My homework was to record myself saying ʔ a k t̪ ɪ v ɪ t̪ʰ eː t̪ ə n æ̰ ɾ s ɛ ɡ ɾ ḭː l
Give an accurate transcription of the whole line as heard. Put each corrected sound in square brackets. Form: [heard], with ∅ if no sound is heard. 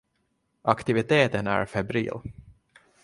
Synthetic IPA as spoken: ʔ a k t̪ ɪ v ɪ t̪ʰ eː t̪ ə n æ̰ ɾ [f] ɛ [b] ɾ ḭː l